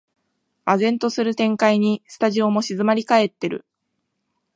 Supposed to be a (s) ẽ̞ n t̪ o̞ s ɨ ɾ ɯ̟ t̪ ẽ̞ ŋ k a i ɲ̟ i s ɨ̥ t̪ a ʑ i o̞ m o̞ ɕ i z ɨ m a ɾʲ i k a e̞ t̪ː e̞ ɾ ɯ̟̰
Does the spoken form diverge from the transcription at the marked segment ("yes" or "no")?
yes